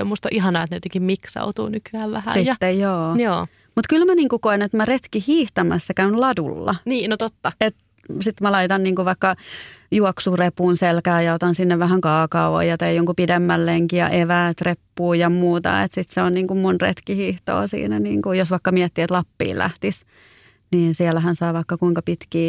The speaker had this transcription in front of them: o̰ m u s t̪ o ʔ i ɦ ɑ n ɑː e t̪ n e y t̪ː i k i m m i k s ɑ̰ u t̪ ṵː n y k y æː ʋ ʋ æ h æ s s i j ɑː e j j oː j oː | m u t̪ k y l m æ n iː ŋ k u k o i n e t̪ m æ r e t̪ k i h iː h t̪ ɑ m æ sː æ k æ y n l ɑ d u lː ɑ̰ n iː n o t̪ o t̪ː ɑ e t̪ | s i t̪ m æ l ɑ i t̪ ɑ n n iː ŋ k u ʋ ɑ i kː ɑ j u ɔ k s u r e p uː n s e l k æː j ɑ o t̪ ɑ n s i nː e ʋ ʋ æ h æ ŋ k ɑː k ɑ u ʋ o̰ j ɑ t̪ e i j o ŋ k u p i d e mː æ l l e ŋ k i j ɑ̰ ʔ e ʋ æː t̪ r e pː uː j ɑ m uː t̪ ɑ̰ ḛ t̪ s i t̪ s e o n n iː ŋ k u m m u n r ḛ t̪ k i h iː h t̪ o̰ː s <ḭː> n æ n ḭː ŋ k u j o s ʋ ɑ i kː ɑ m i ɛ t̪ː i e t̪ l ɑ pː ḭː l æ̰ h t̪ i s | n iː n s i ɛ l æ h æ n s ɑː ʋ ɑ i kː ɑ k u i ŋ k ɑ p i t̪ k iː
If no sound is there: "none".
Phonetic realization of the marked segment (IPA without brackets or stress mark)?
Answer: ḭː